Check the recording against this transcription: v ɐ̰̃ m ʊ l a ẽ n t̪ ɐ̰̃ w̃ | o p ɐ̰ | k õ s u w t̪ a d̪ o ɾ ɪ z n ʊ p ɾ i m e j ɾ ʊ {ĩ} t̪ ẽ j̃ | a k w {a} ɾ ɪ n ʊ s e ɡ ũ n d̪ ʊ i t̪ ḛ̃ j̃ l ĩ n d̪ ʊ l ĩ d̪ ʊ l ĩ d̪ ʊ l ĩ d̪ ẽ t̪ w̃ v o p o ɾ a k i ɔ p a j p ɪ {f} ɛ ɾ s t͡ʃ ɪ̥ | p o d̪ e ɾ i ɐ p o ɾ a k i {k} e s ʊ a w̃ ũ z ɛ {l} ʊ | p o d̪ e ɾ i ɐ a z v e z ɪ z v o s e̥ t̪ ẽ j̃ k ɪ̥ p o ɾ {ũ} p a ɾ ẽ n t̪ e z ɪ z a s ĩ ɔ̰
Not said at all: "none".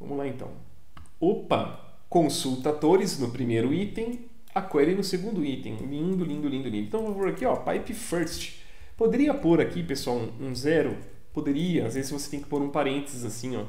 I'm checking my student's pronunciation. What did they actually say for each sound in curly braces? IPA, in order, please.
i, ɛ, f, p, ɾ, ũ

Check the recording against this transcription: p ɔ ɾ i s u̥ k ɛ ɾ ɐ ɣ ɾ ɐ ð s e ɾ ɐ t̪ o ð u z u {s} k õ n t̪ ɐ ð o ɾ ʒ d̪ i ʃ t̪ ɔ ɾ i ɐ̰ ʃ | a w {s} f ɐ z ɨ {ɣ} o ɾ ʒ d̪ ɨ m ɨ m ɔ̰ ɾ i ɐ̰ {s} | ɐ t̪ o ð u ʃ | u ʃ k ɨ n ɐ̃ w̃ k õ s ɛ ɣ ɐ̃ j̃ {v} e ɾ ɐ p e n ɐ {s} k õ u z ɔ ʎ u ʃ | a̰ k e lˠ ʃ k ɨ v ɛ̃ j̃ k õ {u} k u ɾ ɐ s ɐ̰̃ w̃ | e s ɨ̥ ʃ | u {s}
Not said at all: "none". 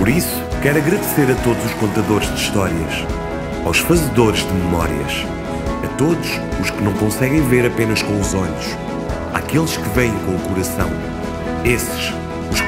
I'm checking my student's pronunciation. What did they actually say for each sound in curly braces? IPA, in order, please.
ʃ, ʃ, ð, ʃ, v, ʃ, u, ʃ

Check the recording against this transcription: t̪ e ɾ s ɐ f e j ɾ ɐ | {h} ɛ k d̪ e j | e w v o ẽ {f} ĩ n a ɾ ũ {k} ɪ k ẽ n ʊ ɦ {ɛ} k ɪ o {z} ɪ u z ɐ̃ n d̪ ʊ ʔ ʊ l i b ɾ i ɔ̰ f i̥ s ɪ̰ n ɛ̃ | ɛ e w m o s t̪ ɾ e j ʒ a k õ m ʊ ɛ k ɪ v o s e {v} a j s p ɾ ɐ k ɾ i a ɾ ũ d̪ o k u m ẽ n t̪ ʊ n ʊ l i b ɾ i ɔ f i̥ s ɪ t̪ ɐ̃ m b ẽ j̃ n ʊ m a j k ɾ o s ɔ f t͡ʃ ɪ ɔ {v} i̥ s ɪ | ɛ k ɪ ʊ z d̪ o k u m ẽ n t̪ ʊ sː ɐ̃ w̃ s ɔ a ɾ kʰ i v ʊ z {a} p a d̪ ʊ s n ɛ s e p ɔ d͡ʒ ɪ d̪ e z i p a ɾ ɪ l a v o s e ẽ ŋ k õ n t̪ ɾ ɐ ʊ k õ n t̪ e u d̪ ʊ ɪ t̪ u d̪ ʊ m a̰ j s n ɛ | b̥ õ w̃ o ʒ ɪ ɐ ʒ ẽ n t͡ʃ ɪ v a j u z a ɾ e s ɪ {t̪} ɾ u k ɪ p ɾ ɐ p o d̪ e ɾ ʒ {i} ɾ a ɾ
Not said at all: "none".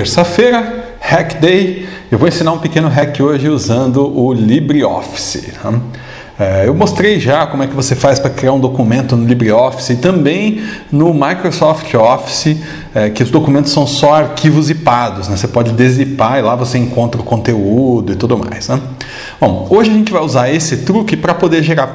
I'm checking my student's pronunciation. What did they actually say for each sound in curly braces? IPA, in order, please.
h, s, p, ɛ, ʒ, f, f, i, t̪, e

